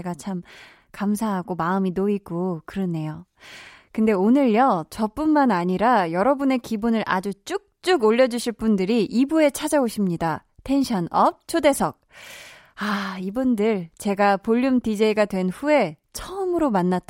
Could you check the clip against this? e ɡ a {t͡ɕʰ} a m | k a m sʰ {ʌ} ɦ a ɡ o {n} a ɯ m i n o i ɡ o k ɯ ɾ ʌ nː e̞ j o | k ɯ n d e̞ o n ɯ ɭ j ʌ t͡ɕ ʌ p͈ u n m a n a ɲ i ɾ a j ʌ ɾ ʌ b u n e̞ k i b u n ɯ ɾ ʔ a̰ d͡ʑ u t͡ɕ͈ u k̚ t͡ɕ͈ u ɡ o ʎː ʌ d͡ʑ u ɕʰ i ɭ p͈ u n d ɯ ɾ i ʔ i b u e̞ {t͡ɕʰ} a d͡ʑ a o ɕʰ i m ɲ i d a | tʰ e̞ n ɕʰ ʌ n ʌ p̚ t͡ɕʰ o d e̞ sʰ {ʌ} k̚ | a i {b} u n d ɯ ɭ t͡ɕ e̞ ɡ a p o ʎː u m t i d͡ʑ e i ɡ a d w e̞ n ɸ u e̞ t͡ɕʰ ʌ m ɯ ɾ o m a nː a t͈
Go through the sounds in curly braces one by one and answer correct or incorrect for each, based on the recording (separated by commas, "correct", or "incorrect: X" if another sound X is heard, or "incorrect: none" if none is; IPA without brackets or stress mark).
correct, incorrect: a, incorrect: m, correct, correct, correct